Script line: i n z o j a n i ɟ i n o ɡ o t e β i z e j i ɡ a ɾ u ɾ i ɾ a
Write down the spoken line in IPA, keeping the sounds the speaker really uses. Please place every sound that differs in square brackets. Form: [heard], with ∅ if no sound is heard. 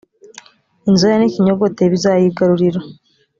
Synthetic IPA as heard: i n z o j a n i [c] i [ɲ] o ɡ o t e β i z [a] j i ɡ a ɾ u ɾ i ɾ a

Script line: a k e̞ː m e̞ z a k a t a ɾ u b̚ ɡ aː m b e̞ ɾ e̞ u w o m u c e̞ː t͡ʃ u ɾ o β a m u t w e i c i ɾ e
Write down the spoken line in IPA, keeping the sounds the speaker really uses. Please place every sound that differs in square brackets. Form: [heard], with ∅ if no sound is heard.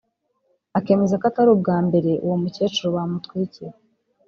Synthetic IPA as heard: a k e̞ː m e̞ z a k a t a ɾ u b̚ ɡ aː m b e̞ ɾ e̞ u w o m u c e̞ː t͡ʃ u ɾ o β a m u t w [i] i c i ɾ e

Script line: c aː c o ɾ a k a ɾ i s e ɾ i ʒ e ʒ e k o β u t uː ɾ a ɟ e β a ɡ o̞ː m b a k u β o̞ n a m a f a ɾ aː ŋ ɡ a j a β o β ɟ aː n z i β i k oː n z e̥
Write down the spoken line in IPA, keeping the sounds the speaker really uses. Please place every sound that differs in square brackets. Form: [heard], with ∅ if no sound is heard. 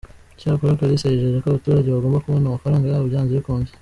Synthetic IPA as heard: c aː [k] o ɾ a k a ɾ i s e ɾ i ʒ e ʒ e k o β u t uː ɾ a ɟ e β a ɡ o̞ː m b a k u β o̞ n a m a f a ɾ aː ŋ ɡ a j a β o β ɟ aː n z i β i k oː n z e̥

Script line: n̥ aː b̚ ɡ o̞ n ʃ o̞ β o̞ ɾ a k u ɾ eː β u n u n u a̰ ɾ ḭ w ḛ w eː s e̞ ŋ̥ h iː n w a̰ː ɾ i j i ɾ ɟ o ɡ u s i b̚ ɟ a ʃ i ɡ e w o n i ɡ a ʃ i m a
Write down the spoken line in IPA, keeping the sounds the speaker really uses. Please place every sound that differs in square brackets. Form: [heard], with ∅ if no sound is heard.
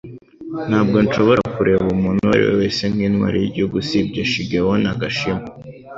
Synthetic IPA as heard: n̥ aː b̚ ɡ o̞ n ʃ o̞ β o̞ ɾ a k u ɾ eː β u [m] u n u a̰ ɾ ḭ w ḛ w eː s e̞ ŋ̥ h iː n w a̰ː ɾ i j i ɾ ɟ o ɡ u s i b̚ ɟ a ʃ i ɡ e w o n [a] ɡ a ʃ i m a

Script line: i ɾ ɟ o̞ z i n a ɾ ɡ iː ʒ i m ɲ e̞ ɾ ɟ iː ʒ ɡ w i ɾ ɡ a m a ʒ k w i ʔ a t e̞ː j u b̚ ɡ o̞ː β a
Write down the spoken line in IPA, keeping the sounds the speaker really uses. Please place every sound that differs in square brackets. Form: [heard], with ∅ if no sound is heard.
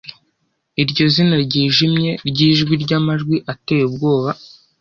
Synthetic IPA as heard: i ɾ ɟ o̞ z i n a ɾ [ɟ] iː ʒ i m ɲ e̞ ɾ ɟ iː ʒ ɡ w i ɾ [ɟ] a m a ʒ [ɡ] w i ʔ a t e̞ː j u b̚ ɡ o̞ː β a

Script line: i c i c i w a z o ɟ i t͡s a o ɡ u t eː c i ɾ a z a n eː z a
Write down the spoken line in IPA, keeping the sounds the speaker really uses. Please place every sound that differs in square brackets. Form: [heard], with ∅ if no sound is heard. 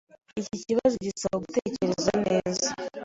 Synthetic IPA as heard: i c i c i [β] a z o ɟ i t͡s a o ɡ u t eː c [e] ɾ [e] z a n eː z a

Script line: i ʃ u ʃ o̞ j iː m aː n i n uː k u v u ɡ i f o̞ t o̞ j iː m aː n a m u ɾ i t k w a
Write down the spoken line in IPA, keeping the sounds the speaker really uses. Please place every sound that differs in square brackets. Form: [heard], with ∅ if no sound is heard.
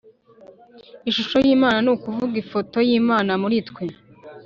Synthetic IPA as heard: i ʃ u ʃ o̞ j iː m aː n [a] n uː k u v u ɡ i f o̞ t o̞ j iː m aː n a m u ɾ i t k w [e]

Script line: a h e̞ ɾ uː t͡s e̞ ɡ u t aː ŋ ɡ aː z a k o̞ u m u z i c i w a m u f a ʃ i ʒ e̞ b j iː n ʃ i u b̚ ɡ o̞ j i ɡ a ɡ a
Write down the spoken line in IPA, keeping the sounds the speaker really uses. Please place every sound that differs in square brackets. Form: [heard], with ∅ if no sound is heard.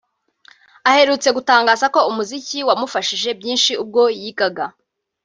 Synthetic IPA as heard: a h e̞ ɾ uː t͡s e̞ ɡ u t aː ŋ ɡ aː z a k o̞ u m u z i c i w a m u f a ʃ i ʒ e̞ b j iː n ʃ i u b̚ ɡ o̞ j i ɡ a ɡ a

